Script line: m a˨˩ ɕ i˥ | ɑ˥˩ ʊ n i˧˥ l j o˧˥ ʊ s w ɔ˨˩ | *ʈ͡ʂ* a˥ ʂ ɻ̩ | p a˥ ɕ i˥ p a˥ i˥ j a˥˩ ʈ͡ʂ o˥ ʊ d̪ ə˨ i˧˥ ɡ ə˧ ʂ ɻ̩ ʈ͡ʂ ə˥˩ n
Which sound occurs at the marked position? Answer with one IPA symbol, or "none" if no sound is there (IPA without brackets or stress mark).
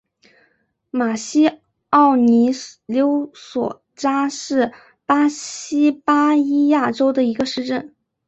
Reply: ʈ͡ʂ